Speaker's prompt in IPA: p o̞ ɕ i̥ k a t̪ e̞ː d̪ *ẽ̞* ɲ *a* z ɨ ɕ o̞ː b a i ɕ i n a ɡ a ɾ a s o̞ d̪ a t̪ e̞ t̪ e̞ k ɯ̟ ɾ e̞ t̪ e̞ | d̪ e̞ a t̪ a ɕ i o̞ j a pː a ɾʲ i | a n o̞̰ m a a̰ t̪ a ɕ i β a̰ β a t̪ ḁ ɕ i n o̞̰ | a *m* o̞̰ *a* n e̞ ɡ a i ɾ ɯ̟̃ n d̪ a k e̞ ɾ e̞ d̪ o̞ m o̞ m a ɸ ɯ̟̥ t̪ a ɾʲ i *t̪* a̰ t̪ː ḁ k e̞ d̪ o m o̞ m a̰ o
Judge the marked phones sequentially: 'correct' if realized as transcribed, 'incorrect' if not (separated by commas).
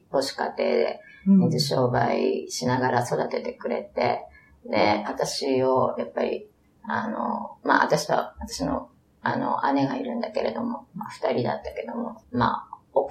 incorrect, incorrect, incorrect, correct, incorrect